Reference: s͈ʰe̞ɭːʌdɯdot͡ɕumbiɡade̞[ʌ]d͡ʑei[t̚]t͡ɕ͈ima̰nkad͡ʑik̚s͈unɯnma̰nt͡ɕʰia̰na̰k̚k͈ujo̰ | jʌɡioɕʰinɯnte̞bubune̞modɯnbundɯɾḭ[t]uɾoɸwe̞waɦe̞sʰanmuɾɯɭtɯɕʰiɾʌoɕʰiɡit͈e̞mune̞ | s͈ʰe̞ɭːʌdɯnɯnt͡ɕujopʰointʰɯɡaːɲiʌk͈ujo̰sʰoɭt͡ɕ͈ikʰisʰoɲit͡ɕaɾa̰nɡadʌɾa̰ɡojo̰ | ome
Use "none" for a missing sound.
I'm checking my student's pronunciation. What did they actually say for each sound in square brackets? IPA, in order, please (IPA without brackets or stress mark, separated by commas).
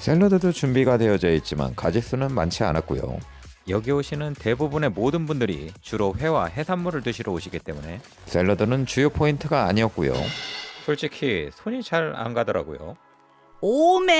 ʌ, t̚, t͡ɕ